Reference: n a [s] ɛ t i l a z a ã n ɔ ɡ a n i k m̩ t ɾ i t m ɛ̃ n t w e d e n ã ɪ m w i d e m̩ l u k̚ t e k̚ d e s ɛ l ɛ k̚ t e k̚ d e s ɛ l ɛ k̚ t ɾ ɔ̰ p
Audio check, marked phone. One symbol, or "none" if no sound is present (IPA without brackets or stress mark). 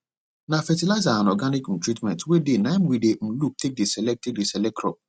f